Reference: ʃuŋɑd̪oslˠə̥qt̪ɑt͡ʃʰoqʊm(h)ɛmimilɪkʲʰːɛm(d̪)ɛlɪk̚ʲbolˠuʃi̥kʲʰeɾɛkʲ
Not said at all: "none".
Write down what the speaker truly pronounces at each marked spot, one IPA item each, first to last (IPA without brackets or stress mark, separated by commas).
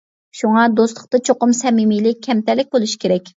s, t̪